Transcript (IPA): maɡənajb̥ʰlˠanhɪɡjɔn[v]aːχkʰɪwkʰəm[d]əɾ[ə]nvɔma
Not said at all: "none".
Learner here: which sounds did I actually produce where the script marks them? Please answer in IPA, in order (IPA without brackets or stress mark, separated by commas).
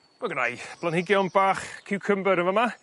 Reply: b, b, ə